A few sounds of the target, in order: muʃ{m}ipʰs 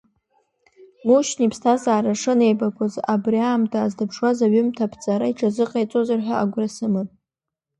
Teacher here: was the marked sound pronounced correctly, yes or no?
no